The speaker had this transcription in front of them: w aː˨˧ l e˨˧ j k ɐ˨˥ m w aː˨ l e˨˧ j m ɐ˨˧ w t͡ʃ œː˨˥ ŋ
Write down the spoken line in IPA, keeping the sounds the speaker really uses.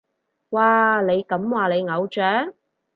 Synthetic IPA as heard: w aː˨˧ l e˨˧ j k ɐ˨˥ m w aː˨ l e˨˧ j ŋ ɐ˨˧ w t͡ʃ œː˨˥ ŋ